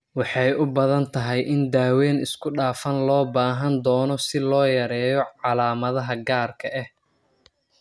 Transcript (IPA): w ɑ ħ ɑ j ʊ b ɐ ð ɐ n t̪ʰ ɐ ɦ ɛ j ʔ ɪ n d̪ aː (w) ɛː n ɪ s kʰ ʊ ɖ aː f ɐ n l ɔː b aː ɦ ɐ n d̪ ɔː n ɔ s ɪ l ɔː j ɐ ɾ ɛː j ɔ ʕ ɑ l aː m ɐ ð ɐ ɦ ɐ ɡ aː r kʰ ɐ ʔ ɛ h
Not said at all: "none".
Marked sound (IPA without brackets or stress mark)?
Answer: w